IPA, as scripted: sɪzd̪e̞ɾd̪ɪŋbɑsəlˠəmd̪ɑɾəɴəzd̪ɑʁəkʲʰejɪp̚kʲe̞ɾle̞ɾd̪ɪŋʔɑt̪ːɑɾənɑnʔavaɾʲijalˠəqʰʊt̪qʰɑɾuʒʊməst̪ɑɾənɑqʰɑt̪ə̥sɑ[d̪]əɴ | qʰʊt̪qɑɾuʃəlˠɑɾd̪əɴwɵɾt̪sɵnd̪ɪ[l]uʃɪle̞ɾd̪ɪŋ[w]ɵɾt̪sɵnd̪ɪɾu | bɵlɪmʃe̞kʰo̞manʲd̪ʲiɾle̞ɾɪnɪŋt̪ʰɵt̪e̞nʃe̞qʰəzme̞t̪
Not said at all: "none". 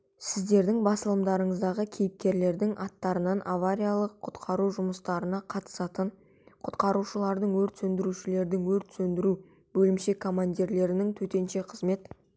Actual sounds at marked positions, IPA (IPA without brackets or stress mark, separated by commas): t̪, ɾ, w